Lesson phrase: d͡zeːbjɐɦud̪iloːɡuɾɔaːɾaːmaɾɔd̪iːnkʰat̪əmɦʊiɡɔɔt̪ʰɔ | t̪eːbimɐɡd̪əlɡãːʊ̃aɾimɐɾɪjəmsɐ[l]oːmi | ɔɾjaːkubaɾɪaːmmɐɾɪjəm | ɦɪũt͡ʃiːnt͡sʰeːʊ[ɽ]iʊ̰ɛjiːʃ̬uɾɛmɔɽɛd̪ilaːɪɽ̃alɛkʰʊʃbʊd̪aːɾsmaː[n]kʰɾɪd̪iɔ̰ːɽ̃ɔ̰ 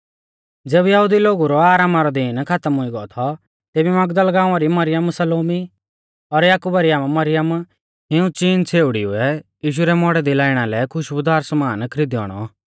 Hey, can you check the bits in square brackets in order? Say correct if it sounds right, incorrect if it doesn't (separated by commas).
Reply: correct, correct, correct